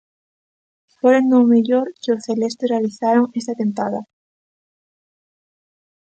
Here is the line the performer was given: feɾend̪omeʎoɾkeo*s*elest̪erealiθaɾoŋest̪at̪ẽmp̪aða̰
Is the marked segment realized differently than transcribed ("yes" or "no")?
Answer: yes